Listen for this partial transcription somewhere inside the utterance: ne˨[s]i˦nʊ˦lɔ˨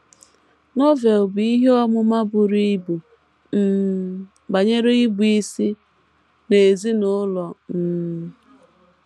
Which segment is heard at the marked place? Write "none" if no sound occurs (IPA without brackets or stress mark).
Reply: z